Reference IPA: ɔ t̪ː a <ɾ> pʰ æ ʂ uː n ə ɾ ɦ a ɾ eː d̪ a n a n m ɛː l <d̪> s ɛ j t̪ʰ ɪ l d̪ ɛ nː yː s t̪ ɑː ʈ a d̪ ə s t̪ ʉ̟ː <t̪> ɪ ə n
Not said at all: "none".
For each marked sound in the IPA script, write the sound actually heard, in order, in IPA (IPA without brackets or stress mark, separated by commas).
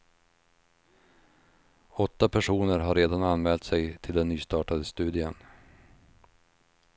none, t̪, d̪